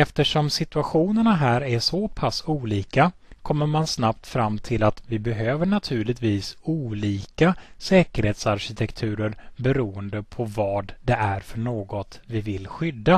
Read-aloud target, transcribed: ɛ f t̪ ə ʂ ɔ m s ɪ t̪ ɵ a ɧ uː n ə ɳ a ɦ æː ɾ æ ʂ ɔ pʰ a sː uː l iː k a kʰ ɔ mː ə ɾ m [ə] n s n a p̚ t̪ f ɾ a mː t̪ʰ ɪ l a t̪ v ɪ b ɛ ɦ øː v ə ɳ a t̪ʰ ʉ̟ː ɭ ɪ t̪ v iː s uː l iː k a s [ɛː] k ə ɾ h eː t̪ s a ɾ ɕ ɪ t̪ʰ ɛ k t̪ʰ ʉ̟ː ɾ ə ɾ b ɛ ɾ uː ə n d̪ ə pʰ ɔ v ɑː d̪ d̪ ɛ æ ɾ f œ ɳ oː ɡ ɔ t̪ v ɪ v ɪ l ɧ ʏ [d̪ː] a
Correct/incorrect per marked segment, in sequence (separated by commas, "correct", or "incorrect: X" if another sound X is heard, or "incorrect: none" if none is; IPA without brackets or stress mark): incorrect: a, correct, correct